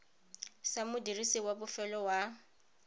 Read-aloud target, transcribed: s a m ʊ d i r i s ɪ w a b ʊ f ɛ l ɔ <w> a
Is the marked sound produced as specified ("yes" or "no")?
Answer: yes